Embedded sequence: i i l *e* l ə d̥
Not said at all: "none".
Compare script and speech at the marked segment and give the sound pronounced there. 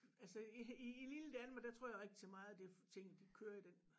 i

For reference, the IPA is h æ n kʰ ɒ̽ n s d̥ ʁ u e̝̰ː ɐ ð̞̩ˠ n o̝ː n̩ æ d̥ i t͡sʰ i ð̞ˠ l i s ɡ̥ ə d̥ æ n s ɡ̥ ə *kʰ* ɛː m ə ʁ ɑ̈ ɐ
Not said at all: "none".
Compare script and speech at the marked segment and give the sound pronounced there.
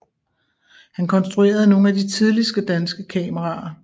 kʰ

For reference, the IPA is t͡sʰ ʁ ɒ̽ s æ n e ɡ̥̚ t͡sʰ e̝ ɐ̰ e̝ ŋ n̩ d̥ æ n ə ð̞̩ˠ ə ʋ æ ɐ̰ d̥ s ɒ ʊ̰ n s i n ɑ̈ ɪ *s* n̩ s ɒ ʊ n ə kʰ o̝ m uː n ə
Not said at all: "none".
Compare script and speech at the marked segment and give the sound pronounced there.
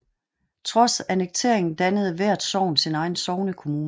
none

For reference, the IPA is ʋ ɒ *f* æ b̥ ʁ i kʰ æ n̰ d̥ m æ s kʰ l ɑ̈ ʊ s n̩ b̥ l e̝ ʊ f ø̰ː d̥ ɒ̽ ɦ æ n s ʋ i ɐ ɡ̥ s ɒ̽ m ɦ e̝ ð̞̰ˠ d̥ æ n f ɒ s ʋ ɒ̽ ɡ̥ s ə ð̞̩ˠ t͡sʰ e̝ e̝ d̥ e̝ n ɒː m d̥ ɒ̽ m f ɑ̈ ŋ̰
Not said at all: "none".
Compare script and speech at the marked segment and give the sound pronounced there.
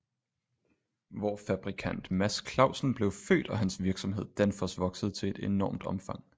f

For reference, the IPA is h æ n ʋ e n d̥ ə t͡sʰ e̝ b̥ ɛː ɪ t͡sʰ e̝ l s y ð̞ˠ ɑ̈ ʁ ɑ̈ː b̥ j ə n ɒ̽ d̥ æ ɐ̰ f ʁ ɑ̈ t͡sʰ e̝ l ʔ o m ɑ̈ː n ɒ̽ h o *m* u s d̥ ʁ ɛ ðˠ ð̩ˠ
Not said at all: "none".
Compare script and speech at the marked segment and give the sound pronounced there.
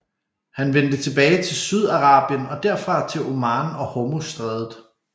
m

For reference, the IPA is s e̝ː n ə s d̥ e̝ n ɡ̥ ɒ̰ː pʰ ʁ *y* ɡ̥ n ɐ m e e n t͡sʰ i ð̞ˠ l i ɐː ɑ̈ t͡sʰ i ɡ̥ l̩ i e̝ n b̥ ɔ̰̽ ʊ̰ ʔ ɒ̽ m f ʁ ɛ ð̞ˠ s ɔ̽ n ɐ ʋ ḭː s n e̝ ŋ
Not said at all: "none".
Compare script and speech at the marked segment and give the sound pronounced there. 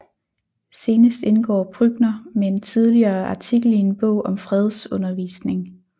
y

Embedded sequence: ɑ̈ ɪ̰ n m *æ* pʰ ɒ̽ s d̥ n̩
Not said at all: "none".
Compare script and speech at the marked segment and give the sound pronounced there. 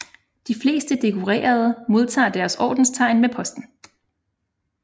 e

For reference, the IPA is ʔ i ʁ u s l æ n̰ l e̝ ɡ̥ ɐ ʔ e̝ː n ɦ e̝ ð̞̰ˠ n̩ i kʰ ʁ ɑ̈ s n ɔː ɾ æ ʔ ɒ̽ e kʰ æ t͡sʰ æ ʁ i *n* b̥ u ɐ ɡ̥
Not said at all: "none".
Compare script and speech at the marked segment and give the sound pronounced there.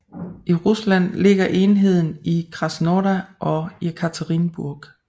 n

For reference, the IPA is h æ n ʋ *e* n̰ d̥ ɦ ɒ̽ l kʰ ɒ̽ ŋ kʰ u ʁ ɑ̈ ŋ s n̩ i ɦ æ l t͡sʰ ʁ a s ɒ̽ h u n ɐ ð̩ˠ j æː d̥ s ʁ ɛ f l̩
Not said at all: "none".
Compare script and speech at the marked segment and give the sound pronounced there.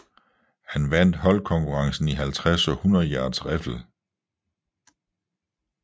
æ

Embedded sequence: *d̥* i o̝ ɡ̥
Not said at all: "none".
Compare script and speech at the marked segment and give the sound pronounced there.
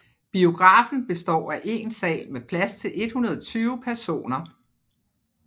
b̥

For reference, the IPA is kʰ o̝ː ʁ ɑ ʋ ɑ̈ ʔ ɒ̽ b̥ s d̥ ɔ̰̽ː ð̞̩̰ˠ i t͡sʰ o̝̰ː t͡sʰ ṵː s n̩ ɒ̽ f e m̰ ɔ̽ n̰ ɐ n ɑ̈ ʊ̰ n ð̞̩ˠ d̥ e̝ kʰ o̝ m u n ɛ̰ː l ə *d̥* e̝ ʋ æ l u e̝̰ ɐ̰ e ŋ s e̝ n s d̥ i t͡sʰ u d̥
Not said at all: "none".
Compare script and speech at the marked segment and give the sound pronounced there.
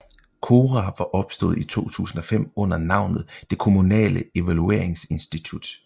none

